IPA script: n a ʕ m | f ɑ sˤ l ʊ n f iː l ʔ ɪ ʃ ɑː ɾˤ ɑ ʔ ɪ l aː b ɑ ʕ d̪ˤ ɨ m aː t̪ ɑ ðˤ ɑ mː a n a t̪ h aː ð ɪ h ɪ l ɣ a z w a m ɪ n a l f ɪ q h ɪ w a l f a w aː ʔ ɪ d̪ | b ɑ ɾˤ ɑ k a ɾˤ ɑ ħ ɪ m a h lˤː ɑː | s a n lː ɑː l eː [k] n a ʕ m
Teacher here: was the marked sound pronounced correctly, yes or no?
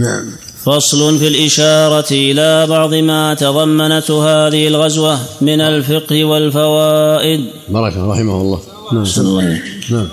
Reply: yes